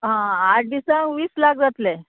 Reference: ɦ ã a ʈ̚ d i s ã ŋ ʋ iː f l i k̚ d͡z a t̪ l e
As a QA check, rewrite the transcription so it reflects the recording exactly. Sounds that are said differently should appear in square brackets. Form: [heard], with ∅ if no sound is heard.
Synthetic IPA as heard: ɦ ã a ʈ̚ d i s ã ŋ ʋ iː [s] l [a] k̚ d͡z a t̪ l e